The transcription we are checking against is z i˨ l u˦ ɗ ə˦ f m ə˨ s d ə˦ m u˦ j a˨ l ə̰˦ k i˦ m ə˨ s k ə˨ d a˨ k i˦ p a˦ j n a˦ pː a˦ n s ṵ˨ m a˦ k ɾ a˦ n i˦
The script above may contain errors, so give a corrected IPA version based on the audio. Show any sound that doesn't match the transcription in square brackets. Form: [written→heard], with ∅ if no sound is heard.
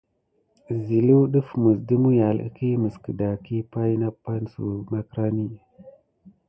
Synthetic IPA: z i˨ l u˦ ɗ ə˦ f m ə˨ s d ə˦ m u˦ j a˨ l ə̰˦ k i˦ m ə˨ s k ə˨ d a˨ k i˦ p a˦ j n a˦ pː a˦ n s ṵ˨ m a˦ k ɾ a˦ n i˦